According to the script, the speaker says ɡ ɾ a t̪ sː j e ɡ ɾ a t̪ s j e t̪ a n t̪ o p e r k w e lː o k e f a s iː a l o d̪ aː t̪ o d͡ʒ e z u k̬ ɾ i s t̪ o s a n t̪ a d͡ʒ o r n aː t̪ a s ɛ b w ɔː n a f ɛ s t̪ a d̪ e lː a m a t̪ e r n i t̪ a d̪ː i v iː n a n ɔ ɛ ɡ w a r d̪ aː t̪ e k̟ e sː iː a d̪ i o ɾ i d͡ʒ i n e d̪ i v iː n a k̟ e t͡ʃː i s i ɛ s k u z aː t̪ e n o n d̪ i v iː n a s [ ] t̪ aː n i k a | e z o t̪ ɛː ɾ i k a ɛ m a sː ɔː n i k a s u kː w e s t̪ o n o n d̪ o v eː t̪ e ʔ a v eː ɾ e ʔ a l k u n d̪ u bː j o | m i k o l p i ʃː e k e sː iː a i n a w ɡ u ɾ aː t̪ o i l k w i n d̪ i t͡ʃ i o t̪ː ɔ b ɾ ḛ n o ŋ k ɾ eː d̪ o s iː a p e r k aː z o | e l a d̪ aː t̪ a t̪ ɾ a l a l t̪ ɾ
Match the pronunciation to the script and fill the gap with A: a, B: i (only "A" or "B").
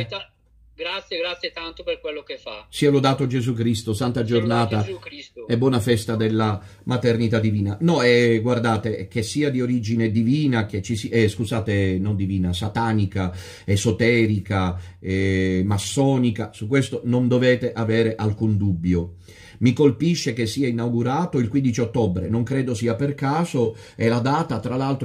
A